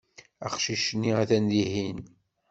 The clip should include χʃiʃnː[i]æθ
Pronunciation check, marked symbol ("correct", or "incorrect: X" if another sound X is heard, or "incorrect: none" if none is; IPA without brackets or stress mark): correct